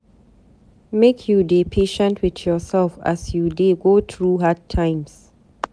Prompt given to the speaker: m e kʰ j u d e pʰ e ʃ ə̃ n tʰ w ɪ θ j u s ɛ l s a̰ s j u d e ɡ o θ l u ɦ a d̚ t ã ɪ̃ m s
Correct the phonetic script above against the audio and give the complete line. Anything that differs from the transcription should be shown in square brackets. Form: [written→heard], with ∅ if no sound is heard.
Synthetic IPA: m e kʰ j u d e pʰ e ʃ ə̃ n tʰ w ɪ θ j [u→ɔ] s ɛ l [s→f] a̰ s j u d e ɡ o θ [l→ɹ] u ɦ a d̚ [t→tʰ] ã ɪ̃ m s